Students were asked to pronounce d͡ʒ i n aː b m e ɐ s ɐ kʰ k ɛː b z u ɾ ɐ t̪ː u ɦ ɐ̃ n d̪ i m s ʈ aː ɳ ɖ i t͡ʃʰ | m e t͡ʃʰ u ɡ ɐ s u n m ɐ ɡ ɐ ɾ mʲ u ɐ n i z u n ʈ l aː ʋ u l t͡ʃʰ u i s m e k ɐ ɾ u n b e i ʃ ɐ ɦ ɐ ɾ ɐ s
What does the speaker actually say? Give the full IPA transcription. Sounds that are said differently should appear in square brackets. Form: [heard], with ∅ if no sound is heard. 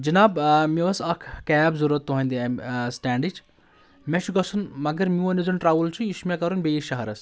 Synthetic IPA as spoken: d͡ʒ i n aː b m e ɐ s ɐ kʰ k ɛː b z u ɾ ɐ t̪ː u ɦ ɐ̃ n d̪ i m s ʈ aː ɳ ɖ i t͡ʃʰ | m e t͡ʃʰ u ɡ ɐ s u n m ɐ ɡ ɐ ɾ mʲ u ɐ n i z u n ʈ [ɾ] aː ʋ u l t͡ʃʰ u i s m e k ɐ ɾ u n b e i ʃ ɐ ɦ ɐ ɾ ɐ s